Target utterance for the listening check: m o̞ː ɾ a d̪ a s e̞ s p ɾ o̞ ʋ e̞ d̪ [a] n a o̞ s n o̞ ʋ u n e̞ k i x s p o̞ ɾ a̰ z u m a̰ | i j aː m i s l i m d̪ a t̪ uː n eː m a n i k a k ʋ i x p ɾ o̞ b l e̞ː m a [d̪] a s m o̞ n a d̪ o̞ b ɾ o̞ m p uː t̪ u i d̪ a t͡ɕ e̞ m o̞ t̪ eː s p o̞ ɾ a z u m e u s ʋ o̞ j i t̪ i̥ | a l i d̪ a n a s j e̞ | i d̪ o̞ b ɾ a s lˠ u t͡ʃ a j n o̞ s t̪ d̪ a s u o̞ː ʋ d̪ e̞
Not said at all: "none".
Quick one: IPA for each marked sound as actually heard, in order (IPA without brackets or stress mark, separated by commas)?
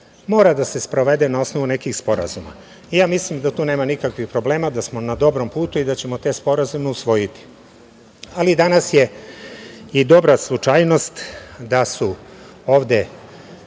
e, d̪